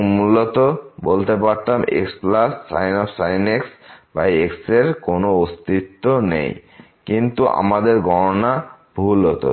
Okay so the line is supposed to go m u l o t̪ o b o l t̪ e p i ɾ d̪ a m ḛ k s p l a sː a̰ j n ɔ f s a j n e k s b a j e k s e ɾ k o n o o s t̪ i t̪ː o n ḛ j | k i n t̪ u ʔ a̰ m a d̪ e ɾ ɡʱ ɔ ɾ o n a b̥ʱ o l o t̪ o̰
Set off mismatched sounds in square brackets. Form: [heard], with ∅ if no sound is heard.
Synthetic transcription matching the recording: m u l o t̪ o b o l t̪ e p [a] ɾ [t̪] a m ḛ k s p l a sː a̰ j n ɔ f s a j n e k s b a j e k s e ɾ k o n o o s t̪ i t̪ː o n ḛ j | k i n t̪ u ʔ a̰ m a d̪ e ɾ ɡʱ ɔ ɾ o n a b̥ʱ [u] l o t̪ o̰

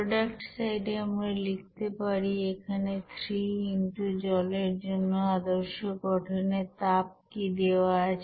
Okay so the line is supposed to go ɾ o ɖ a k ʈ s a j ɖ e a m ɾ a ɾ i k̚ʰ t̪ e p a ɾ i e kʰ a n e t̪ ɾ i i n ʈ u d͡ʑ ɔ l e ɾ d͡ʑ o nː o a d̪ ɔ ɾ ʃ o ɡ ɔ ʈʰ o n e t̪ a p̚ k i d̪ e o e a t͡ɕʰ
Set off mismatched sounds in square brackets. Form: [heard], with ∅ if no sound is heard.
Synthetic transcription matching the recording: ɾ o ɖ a k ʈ s a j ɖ e a m ɾ a [l] i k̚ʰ t̪ e p a ɾ i e kʰ a n e [t̪ʰ] ɾ i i n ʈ u d͡ʑ ɔ l e ɾ d͡ʑ o nː o a d̪ [o] ɾ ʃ o ɡ ɔ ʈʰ o n e t̪ a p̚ k i d̪ e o [a] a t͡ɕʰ

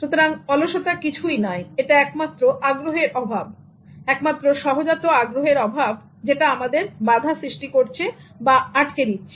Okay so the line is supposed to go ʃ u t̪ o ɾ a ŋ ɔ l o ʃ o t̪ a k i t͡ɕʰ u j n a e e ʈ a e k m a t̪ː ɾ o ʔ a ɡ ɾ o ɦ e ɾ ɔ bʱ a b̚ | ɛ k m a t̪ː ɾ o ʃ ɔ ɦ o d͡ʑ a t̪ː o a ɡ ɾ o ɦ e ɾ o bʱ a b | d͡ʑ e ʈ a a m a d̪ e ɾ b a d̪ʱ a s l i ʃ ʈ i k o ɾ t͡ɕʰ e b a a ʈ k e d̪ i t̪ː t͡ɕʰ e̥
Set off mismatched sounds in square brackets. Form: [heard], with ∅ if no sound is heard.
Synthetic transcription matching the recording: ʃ u t̪ o ɾ a ŋ ɔ l o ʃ o t̪ a k i t͡ɕʰ u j n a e e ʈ a [ɛ] k m a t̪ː ɾ o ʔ a ɡ ɾ o ɦ e ɾ ɔ bʱ a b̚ | ɛ k m a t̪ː ɾ o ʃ ɔ ɦ o d͡ʑ a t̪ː o a ɡ ɾ o ɦ e ɾ [ɔ] bʱ a b | d͡ʑ e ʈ a a m a d̪ e ɾ b a d̪ʱ a s [ɾ] i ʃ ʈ i k o ɾ t͡ɕʰ e b a a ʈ k e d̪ i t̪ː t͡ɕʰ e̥

